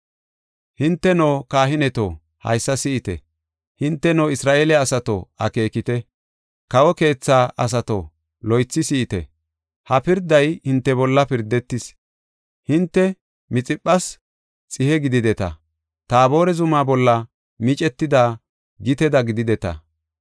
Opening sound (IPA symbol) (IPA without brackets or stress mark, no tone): h